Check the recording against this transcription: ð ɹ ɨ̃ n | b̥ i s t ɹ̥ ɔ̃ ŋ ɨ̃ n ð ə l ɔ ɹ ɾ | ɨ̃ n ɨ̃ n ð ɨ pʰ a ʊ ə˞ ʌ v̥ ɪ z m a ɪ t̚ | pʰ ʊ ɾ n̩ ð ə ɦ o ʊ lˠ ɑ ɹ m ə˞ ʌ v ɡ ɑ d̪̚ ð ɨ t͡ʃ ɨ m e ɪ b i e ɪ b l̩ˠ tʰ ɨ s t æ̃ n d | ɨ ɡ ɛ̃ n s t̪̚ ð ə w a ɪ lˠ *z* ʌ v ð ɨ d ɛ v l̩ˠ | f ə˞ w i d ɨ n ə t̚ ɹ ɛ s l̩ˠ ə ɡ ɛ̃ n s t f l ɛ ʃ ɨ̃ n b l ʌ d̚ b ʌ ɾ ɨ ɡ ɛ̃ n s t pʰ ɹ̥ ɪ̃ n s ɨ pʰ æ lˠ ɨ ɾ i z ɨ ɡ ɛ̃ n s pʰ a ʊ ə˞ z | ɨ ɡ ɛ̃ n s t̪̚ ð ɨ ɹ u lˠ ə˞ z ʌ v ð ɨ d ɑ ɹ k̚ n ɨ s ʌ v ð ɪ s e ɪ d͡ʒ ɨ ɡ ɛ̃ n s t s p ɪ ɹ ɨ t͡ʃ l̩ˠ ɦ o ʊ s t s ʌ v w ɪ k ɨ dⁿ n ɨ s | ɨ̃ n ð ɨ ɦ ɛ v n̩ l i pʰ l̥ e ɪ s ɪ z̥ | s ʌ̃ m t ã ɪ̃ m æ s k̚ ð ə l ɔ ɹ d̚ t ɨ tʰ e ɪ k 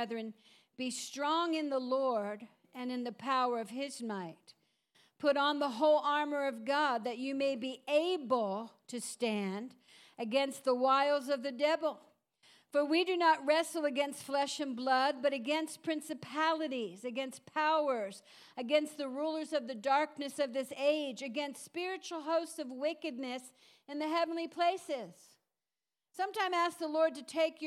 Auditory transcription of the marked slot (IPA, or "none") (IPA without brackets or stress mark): z